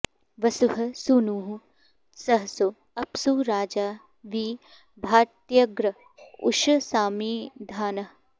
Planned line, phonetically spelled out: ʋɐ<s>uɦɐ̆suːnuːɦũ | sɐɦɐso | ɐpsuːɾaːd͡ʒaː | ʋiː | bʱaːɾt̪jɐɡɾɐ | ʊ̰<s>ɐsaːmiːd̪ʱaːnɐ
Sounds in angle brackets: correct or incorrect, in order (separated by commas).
correct, incorrect